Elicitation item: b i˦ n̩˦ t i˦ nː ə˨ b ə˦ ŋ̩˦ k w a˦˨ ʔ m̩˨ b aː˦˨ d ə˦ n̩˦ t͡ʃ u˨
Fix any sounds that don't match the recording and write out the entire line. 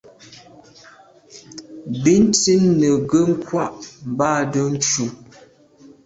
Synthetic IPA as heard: b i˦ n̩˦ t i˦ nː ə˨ ɡ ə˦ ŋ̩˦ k w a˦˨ ʔ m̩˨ b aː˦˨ d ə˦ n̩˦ t͡ʃ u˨